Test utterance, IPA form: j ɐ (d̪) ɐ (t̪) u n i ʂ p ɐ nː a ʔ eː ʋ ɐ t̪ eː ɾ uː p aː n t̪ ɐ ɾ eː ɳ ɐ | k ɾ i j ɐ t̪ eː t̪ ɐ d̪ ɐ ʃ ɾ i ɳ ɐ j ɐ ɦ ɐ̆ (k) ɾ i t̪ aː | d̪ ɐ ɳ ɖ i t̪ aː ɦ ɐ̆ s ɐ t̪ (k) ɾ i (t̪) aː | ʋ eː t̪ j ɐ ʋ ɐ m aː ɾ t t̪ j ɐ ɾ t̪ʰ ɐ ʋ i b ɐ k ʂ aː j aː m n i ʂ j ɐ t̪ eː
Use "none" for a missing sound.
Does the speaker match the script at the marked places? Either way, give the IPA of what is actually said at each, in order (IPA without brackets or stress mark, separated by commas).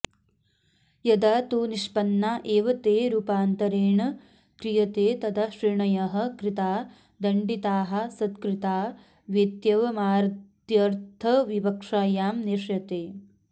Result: d̪, t̪, k, k, t̪